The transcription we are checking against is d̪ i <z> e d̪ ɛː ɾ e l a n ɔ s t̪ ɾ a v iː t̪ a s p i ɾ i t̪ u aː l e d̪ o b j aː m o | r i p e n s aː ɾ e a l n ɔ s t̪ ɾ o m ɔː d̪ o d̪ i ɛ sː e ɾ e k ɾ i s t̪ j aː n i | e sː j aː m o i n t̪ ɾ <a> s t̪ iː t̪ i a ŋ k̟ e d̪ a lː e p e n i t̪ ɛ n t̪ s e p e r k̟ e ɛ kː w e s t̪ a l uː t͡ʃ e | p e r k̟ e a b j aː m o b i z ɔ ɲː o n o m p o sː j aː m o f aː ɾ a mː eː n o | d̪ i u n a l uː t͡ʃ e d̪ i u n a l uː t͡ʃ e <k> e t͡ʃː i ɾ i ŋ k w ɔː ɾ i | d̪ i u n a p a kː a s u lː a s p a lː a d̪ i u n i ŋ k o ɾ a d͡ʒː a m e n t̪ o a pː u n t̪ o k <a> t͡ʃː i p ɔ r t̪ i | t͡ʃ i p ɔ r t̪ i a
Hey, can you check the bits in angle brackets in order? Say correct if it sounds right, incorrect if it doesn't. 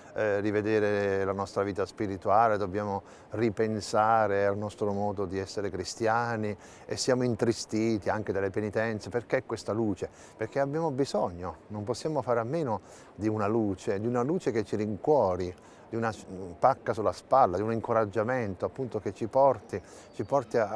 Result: incorrect: v, incorrect: i, correct, incorrect: e

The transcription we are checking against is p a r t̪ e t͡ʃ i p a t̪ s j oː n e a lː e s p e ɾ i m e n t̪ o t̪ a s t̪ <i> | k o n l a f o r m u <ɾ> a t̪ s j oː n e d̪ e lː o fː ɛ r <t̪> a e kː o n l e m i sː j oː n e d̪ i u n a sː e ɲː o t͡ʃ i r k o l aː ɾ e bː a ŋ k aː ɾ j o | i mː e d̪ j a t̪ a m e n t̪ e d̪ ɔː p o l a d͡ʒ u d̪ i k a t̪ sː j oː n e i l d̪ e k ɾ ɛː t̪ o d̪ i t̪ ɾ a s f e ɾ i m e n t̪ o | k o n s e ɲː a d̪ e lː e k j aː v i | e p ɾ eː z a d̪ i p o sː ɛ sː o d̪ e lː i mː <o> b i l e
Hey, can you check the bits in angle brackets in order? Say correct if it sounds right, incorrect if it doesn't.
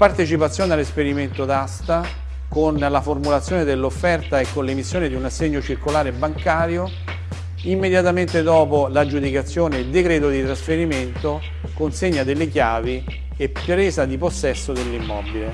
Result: incorrect: a, incorrect: l, correct, incorrect: ɔ

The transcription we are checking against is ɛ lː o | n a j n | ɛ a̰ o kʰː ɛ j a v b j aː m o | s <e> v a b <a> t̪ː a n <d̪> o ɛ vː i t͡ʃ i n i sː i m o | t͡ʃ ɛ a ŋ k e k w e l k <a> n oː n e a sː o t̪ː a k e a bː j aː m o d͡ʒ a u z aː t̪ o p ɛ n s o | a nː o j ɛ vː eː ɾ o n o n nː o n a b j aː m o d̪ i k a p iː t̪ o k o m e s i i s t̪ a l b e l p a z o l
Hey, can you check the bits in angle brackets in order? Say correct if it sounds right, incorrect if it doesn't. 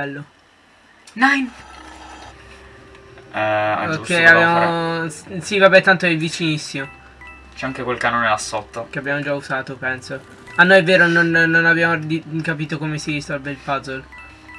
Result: incorrect: i, incorrect: ɛ, incorrect: t̪, correct

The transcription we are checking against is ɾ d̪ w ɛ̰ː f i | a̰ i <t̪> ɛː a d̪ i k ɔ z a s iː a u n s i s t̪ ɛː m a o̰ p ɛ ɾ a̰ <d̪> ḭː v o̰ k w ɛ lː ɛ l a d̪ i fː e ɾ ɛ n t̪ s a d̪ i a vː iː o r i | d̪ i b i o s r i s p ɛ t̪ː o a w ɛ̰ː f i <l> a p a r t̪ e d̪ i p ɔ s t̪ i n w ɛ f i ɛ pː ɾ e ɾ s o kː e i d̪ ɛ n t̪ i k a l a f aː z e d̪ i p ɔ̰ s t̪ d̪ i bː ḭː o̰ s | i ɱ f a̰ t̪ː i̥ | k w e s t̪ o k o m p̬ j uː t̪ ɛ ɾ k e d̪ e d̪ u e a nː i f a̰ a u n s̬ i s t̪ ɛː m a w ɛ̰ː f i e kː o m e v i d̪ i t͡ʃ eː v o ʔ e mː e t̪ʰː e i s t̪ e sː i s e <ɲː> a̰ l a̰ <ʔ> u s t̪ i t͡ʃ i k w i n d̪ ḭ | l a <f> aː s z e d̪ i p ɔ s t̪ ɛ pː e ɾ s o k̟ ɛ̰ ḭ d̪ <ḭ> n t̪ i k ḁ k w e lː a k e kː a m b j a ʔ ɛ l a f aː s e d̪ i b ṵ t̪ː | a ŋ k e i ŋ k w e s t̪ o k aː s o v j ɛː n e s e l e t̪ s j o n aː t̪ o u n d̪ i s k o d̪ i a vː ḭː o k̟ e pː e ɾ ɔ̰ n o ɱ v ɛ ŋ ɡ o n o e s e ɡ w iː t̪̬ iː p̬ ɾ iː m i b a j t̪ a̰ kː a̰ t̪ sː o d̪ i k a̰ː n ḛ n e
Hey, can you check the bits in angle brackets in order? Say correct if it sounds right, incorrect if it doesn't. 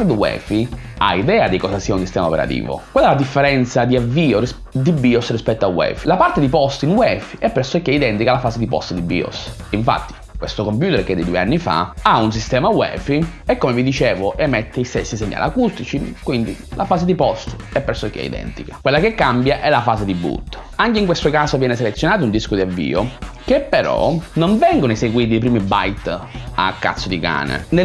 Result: incorrect: d̪, incorrect: t̪, correct, correct, incorrect: k, correct, incorrect: ɛ̰

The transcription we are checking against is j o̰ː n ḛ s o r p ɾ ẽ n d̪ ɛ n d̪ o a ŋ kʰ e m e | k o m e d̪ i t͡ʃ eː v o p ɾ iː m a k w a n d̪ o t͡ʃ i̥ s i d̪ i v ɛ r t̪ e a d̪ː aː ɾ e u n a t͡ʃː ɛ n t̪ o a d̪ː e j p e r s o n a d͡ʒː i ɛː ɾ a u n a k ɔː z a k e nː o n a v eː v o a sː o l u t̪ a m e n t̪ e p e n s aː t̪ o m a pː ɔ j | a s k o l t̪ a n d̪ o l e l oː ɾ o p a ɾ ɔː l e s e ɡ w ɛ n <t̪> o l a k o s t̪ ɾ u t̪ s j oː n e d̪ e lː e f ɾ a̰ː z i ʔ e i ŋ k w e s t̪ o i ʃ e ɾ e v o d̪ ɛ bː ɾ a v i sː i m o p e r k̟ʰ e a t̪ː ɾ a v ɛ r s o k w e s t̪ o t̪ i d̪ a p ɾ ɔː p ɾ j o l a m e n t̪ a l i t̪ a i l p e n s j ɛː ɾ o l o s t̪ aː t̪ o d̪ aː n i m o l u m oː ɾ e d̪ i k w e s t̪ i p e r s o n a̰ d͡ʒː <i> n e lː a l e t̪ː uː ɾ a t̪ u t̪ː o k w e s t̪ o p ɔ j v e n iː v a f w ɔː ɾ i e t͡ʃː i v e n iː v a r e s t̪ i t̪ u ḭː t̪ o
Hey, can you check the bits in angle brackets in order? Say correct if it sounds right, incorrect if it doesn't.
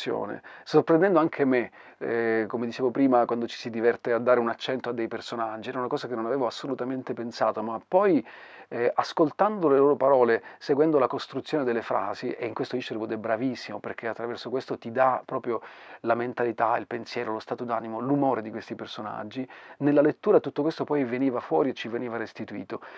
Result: incorrect: d̪, correct

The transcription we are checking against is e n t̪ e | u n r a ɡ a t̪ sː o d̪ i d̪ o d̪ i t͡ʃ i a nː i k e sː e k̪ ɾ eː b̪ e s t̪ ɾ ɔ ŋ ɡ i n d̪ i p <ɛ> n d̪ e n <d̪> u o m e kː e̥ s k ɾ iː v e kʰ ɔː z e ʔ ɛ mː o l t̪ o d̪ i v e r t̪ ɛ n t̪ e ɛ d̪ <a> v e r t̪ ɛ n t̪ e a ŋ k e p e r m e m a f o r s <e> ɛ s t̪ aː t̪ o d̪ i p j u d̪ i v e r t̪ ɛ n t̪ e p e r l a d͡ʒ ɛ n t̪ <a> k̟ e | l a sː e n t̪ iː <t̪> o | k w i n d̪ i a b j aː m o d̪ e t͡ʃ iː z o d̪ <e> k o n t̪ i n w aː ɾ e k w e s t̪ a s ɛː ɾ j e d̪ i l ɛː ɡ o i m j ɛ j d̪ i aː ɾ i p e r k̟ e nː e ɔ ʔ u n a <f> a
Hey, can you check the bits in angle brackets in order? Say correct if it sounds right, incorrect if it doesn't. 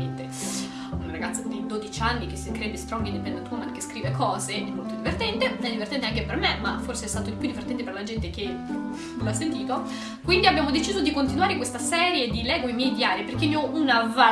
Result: correct, incorrect: t̪, incorrect: i, correct, incorrect: e, correct, incorrect: i, incorrect: v

